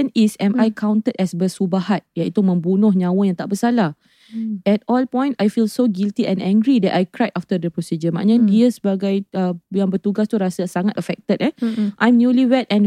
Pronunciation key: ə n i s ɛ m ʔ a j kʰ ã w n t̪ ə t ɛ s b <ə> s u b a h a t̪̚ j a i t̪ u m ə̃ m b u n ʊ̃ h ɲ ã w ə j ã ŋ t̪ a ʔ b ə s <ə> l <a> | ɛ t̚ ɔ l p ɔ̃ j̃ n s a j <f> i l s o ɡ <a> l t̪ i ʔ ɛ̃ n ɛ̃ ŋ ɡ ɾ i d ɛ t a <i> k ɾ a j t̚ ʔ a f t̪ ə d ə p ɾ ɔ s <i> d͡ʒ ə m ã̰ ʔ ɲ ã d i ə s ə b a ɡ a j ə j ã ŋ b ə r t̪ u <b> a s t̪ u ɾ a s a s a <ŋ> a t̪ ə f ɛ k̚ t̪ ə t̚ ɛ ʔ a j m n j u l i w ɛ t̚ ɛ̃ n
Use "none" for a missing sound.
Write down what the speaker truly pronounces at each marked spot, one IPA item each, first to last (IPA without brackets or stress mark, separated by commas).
ə, a, a, f, i, j, i, ɡ, ŋ